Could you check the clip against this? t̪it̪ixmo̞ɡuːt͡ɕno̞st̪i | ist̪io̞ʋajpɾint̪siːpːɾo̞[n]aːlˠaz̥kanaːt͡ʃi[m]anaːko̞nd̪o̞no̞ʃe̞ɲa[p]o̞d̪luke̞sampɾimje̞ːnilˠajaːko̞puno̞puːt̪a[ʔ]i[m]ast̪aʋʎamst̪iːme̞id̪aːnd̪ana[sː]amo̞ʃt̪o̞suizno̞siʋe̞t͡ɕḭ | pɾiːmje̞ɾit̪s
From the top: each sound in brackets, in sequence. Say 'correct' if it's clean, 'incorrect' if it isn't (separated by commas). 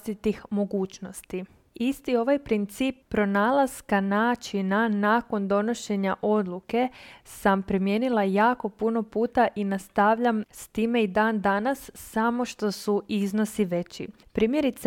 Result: correct, incorrect, incorrect, correct, incorrect, correct